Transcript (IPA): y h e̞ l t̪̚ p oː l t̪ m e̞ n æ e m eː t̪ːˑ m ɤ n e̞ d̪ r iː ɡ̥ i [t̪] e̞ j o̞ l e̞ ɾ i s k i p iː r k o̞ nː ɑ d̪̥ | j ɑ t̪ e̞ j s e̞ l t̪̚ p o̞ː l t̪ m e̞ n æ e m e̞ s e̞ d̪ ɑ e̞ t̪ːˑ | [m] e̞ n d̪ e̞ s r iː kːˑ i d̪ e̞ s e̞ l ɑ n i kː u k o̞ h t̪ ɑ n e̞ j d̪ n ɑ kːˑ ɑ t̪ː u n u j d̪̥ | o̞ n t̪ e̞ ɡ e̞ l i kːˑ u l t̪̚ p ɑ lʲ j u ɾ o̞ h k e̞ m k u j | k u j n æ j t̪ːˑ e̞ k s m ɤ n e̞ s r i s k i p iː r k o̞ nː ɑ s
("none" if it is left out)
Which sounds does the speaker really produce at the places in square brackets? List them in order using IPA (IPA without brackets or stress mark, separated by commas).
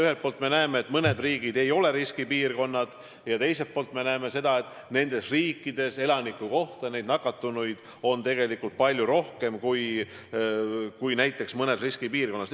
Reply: d̪, n